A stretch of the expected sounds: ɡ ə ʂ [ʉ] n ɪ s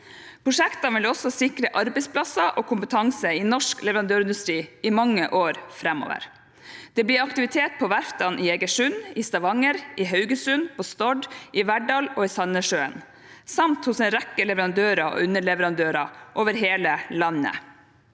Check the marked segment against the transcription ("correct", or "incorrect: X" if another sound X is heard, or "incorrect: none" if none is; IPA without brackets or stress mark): correct